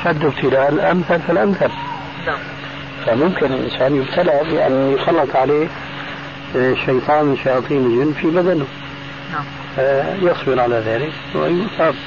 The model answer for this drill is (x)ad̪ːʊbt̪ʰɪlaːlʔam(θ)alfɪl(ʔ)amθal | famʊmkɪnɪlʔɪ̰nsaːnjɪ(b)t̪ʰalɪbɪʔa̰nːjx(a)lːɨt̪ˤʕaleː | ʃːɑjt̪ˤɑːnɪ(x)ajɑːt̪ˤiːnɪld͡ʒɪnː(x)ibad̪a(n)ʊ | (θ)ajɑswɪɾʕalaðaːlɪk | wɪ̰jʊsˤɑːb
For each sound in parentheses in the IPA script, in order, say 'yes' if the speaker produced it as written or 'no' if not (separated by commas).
no, yes, yes, yes, no, no, no, yes, no